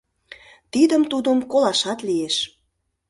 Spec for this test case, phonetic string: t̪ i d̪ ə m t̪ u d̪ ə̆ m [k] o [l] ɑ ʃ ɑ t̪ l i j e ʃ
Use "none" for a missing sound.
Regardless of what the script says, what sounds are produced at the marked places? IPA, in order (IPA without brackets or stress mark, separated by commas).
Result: k, l